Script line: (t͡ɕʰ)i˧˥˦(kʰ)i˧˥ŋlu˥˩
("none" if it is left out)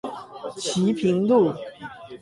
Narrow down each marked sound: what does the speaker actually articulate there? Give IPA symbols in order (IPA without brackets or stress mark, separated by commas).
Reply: t͡ɕʰ, pʰ